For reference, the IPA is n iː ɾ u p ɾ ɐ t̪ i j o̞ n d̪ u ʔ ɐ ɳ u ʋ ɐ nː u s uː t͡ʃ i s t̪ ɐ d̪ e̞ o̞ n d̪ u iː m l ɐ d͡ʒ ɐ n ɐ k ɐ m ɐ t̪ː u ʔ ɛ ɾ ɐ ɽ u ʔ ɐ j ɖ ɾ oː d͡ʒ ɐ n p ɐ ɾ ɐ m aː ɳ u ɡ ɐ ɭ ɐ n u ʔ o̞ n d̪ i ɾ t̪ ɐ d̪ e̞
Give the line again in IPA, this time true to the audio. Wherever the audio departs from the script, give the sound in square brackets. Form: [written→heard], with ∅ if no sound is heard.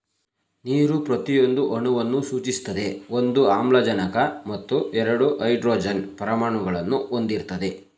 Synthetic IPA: n iː ɾ u p ɾ ɐ t̪ i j o̞ n d̪ u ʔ ɐ ɳ u ʋ ɐ nː u s uː t͡ʃ i s t̪ ɐ d̪ e̞ o̞ n d̪ u [iː→aː] m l ɐ d͡ʒ ɐ n ɐ k ɐ m ɐ t̪ː u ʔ ɛ ɾ ɐ ɽ u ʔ ɐ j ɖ ɾ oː d͡ʒ ɐ n p ɐ ɾ ɐ m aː ɳ u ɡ ɐ ɭ ɐ [n→nː] u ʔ o̞ n d̪ i ɾ t̪ ɐ d̪ e̞